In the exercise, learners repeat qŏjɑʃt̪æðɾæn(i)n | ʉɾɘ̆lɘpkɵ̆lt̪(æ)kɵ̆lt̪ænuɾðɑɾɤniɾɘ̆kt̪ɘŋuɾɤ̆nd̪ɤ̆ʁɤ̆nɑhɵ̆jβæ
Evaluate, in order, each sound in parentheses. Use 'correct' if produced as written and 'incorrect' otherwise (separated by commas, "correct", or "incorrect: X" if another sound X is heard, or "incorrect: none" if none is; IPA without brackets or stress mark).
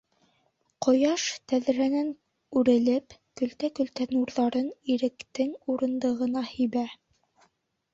incorrect: æ, correct